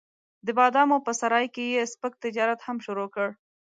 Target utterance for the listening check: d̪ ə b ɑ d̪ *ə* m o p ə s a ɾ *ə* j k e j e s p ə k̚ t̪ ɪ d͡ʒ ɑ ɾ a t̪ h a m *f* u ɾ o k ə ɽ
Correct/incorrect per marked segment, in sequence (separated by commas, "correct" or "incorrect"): incorrect, incorrect, incorrect